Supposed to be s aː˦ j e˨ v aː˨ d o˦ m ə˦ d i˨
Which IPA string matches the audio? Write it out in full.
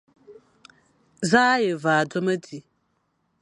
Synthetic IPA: z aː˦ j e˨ v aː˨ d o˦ m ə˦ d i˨